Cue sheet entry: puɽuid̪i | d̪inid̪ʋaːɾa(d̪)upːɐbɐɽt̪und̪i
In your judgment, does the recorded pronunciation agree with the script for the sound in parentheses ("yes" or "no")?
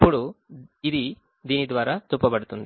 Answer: no